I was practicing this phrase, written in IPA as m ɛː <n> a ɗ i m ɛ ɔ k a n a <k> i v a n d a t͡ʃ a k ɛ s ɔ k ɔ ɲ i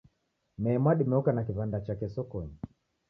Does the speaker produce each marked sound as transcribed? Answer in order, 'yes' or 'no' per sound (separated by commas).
no, yes